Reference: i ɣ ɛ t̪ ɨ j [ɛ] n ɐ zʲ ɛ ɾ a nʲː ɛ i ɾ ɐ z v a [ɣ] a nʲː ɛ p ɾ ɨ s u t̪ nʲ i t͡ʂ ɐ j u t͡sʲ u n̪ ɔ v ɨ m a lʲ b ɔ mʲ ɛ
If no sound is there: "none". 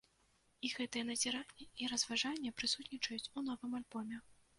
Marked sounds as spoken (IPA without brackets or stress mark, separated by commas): ɛ, ʐ